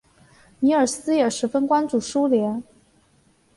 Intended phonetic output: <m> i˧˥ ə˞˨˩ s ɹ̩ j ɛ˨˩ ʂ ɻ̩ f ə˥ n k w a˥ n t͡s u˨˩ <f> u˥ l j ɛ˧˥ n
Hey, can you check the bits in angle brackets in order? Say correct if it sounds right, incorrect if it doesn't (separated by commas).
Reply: incorrect, incorrect